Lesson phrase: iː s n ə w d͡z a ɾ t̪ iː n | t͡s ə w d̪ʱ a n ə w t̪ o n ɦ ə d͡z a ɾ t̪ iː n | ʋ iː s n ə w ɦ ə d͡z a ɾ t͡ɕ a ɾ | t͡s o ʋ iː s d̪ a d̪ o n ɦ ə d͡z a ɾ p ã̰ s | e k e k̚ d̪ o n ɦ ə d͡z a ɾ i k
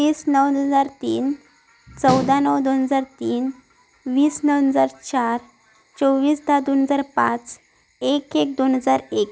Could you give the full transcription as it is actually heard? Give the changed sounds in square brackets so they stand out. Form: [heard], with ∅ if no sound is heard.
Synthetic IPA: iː s n ə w d͡z a ɾ t̪ iː n | t͡s ə w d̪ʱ a n ə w [d̪] o n ɦ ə d͡z a ɾ t̪ iː n | ʋ iː s n ə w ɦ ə d͡z a ɾ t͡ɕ a ɾ | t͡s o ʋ iː s d̪ a d̪ o n ɦ ə d͡z a ɾ p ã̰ [t͡s] | e k e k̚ d̪ o n ɦ ə d͡z a ɾ [e] k